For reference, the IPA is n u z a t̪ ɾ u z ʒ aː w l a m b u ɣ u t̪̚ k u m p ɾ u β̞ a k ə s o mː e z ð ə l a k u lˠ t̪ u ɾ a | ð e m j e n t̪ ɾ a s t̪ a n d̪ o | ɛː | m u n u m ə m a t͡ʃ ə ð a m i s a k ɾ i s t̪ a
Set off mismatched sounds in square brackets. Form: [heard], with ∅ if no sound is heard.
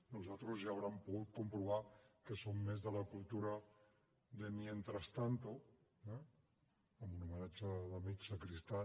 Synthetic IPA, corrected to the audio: n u z a t̪ ɾ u z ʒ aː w [ɾ] a m [p] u ɣ u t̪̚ k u m p ɾ u β̞ a k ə s o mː e z ð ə l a k u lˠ t̪ u ɾ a | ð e m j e n t̪ ɾ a s t̪ a n [t̪] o | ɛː | m u n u m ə [n] a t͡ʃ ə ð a m i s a k ɾ i s t̪ a